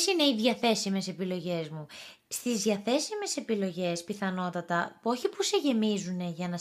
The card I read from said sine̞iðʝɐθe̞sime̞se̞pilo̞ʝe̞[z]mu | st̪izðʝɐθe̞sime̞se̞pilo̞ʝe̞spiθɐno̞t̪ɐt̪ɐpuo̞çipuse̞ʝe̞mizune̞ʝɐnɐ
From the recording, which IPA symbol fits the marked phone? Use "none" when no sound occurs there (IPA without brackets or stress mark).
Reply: z